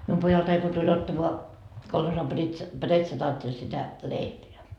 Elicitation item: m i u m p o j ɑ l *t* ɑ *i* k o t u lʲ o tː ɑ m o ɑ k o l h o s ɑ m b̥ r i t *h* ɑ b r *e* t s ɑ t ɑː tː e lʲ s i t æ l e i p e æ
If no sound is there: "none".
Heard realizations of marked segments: t, i, s, e

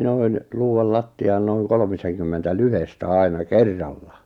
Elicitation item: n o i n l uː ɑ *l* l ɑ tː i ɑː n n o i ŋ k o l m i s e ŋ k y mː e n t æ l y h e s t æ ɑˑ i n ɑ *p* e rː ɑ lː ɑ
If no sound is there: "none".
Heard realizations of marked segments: l, k

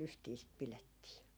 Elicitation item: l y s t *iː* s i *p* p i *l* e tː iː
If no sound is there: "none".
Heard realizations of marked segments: iː, t, l

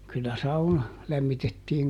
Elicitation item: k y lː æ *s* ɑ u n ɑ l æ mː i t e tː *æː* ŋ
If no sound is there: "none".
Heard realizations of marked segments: s, iː

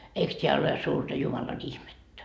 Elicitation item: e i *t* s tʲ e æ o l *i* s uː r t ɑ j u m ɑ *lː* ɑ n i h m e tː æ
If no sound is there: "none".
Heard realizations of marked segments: k, e, l

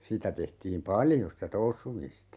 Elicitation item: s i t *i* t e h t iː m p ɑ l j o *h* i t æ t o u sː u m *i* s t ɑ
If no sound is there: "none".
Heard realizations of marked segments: æ, s, i

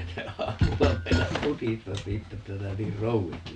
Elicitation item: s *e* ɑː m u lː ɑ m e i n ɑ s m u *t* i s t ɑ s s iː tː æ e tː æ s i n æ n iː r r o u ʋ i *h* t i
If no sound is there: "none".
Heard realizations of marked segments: e, t, s

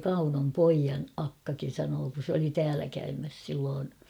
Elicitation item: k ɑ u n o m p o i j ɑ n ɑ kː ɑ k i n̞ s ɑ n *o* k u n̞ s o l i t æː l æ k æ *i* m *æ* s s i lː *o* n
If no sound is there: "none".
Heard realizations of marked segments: oː, y, æ, oː

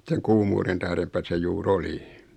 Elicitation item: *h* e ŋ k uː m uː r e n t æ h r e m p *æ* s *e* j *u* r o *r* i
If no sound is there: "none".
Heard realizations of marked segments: s, æ, e, uː, l

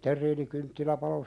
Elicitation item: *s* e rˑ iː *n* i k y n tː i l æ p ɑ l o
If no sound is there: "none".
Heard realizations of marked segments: t, n

